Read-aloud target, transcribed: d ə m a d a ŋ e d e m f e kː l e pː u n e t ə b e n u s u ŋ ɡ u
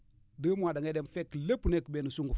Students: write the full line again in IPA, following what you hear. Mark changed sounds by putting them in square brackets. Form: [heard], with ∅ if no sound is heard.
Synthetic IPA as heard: d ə m a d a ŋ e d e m f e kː l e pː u n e [k] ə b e n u s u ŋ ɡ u